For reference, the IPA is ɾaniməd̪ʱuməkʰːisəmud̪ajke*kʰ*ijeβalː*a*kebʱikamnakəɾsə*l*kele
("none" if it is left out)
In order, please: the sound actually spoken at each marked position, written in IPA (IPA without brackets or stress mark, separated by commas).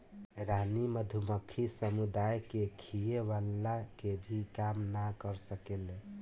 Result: kʰ, a, none